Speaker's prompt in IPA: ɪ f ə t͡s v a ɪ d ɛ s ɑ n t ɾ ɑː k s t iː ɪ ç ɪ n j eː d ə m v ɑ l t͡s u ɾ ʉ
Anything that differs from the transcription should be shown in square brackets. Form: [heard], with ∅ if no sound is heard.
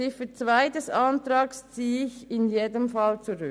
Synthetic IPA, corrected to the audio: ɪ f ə t͡s v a ɪ d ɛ s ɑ n t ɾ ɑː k s [t͡s] iː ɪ ç ɪ n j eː d ə m [f] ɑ l t͡s u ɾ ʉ